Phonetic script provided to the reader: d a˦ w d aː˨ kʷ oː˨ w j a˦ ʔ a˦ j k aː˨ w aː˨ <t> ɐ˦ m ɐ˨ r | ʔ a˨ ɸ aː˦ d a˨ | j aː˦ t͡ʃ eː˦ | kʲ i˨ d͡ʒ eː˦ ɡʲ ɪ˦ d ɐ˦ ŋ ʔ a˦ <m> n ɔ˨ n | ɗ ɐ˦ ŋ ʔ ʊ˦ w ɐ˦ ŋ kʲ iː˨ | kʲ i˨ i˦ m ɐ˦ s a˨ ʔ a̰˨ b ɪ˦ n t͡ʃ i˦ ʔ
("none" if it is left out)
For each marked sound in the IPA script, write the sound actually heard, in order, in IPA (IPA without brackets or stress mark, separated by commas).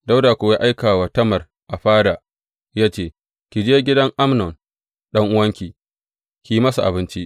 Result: t, m